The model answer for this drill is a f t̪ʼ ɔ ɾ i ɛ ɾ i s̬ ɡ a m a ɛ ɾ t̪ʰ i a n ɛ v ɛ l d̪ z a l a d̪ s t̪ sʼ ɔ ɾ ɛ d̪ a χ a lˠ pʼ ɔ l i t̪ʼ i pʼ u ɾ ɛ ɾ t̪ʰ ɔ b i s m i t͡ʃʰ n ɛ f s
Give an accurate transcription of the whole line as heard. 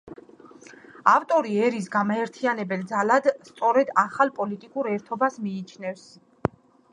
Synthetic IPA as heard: a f t̪ʼ ɔ ɾ i ɛ ɾ i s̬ ɡ a m a ɛ ɾ t̪ʰ i a n ɛ b ɛ l d̪ z a l a d̪ s t̪ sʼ ɔ ɾ ɛ d̪ a χ a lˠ pʼ ɔ l i t̪ʼ i kʼ u ɾ ɛ ɾ t̪ʰ ɔ b a s m iː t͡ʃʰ n ɛ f s